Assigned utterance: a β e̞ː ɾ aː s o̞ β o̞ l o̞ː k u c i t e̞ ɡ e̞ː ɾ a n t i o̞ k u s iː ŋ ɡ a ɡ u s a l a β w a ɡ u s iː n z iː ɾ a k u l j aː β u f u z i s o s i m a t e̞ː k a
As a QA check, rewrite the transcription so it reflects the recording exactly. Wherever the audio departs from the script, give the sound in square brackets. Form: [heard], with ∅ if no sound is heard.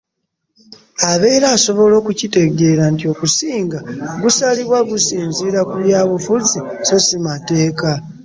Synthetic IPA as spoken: a β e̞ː ɾ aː s o̞ β o̞ l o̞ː k u c i t e̞ ɡ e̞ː ɾ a n t i o̞ k u s iː ŋ ɡ a ɡ u s a l [i] β w a ɡ u s iː n z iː ɾ a k u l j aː β u f u z i s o s i m a t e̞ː k a